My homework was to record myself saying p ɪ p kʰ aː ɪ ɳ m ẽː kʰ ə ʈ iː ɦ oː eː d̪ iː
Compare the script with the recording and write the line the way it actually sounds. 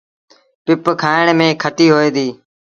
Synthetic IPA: p ɪ p kʰ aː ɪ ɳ m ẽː kʰ ə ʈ iː ɦ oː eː d̪ iː